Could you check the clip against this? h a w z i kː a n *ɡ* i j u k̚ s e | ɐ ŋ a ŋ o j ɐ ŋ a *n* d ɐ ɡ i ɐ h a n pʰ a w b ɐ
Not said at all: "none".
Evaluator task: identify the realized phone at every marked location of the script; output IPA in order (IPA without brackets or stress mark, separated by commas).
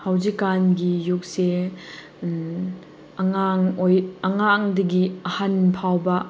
ɡ, ŋ